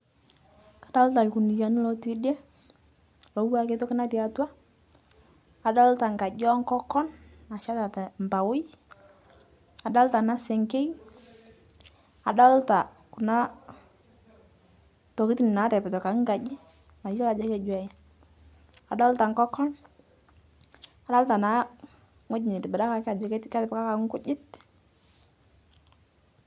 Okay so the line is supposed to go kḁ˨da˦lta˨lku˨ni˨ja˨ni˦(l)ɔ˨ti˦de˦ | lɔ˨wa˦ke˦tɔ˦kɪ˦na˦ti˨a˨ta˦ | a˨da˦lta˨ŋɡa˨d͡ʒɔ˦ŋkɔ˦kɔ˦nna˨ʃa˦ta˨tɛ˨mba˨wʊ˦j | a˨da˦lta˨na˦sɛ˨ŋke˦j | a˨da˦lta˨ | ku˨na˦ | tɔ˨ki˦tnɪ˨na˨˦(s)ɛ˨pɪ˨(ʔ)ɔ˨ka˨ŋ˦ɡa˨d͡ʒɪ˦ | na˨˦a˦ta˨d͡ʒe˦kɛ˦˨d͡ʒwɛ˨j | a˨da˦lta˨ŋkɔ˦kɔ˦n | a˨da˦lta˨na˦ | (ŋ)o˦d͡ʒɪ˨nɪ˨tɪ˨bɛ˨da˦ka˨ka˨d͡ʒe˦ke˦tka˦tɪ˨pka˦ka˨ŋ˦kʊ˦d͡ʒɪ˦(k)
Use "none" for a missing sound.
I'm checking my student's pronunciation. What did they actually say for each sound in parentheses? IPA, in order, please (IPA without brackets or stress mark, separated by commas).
l, t, t, ŋ, t